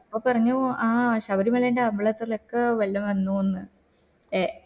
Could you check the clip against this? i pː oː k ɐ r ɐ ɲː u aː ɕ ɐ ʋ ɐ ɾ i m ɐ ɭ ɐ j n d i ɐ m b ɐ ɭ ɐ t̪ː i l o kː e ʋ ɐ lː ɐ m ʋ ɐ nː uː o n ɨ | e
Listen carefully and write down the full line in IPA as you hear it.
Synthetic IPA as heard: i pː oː p ɐ r ɐ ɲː u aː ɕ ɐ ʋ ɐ ɾ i m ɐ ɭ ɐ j n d e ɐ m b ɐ ɭ ɐ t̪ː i l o kː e ʋ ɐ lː ɐ m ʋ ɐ nː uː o nː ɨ | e

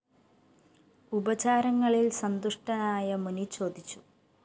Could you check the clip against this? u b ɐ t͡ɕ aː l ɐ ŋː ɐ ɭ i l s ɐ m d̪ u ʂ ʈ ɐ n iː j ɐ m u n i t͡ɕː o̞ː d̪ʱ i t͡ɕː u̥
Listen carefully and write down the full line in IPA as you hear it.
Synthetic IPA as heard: u b ɐ t͡ɕ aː ɾ ɐ ŋː ɐ ɭ i l s ɐ n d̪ u ʂ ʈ ɐ n aː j ɐ m u n i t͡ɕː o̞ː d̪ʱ i t͡ɕː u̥

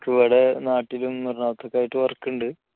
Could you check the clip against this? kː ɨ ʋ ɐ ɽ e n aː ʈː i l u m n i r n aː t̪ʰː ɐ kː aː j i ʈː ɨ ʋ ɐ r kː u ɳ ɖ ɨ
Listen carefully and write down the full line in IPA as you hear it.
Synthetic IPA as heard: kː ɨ ʋ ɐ ɽ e n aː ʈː i l u m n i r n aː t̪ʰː ɐ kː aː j i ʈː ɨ ʋ ɐ r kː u ɳ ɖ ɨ

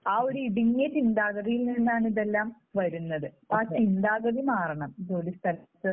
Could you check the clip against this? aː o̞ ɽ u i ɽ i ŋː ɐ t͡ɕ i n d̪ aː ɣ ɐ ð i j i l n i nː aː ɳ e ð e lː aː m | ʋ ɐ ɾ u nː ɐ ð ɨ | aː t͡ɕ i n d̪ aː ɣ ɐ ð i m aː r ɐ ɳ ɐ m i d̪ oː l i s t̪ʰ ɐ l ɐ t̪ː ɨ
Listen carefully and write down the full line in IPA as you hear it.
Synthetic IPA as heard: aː o̞ ɾ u i ɽ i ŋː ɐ t͡ɕ i n d̪ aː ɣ ɐ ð i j i l n i nː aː ɳ i ð e lː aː m | ʋ ɐ ɾ u nː ɐ ð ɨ | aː t͡ɕ i n d̪ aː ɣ ɐ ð i m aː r ɐ ɳ ɐ m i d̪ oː l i s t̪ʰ ɐ l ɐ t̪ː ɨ

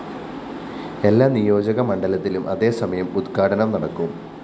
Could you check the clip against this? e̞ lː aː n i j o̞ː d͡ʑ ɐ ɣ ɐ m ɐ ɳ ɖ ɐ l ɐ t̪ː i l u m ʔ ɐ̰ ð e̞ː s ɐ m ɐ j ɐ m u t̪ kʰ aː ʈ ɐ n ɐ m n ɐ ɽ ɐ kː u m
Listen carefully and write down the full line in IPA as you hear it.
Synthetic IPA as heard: e̞ lː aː n i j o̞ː d͡ʑ ɐ ɣ ɐ m ɐ ɳ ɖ ɐ l ɐ t̪ː i l u m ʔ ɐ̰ ð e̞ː s ɐ m ɐ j ɐ m u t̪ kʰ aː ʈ ɐ n ɐ m n ɐ ɽ ɐ kː u m

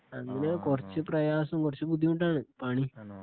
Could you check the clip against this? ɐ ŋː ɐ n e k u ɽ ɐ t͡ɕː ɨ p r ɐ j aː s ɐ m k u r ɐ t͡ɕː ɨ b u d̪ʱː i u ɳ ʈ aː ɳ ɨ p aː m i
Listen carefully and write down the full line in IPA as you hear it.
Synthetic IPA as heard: ɐ ŋː ɐ n e k u r ɐ t͡ɕː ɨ p r ɐ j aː s ɐ m k u r ɐ t͡ɕː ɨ b u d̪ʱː i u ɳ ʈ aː ɳ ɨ p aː ɳ i

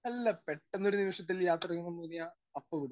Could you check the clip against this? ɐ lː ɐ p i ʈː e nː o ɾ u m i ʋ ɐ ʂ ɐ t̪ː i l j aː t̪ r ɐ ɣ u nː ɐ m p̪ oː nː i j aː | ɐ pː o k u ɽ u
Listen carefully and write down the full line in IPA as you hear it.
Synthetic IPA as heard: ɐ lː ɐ p e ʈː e nː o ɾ u n i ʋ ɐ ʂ ɐ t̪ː i l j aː t̪ r ɐ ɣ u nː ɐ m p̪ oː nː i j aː | ɐ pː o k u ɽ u

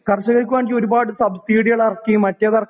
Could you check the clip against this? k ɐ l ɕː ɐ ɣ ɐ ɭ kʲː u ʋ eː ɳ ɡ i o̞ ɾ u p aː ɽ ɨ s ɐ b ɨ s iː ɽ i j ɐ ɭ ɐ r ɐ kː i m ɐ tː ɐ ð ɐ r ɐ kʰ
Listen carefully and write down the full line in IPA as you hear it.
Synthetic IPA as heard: k ɐ r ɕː ɐ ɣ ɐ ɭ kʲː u ʋ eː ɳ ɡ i o̞ ɾ u b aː ɽ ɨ s ɐ b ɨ s iː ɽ i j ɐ ɭ ɐ r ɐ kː i m ɐ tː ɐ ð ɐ r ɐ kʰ

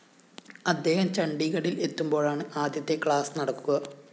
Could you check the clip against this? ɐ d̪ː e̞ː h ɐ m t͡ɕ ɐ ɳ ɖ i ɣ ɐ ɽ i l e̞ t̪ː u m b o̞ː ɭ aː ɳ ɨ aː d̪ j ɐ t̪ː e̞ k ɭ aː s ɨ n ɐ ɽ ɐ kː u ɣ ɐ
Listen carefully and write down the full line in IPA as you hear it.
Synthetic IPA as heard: ɐ d̪ː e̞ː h ɐ m t͡ɕ ɐ ɳ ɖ i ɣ ɐ ɽ i l e̞ t̪ː u m b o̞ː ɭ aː ɳ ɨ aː d̪ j ɐ t̪ː e̞ k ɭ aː s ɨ n ɐ ɽ ɐ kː u ɣ ɐ

